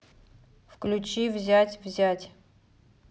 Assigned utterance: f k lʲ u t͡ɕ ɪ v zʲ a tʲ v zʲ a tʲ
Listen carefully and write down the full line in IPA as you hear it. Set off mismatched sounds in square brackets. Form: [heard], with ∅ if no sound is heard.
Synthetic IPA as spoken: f k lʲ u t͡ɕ [i] v zʲ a tʲ v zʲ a tʲ